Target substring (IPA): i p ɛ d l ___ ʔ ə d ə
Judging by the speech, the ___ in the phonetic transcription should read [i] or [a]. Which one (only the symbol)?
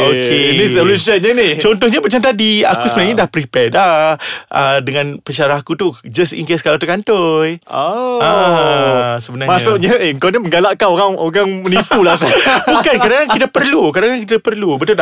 a